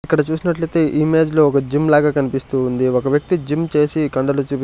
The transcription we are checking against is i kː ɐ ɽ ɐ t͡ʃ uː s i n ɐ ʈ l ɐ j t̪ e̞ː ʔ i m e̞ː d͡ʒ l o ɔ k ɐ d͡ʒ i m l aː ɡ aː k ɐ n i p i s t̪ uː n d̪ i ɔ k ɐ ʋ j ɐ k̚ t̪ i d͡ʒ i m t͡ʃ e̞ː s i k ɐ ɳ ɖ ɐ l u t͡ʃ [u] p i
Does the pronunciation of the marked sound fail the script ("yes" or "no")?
yes